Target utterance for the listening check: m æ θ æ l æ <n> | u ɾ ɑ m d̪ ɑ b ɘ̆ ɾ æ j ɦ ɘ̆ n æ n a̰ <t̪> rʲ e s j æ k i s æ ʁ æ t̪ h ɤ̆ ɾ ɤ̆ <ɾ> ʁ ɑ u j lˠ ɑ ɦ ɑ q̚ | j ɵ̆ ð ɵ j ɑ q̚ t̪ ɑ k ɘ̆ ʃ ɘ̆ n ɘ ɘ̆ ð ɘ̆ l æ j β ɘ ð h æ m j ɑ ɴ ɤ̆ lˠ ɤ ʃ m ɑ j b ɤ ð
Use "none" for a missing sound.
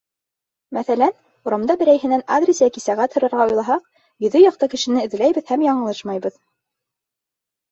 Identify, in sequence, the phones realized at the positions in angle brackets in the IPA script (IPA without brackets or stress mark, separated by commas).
n, d̪, ɾ